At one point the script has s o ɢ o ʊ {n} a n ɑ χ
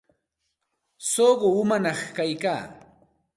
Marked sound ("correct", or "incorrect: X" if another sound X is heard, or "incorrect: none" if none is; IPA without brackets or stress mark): incorrect: m